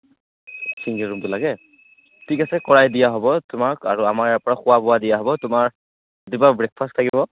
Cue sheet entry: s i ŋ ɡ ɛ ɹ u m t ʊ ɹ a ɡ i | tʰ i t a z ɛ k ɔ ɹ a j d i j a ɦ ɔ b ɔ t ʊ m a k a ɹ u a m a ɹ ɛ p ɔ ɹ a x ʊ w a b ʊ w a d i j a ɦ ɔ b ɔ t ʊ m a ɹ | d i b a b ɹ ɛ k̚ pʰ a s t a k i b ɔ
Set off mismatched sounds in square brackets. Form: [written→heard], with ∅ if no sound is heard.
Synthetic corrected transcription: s i ŋ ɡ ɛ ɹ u m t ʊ [ɹ→l] a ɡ [i→ɛ] | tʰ i [t→k] a [z→s] ɛ k ɔ ɹ a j d i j a ɦ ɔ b ɔ t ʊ m a k a ɹ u a m a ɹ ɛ p ɔ ɹ a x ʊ w a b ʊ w a d i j a ɦ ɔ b ɔ t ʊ m a ɹ | d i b a b ɹ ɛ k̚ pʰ a s [t→tʰ] a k i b ɔ